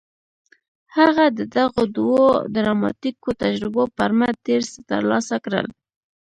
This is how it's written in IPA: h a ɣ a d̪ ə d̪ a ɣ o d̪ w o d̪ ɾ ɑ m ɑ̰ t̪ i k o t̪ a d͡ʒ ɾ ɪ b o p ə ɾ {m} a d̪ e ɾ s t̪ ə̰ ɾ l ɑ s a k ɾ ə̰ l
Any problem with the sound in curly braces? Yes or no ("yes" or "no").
no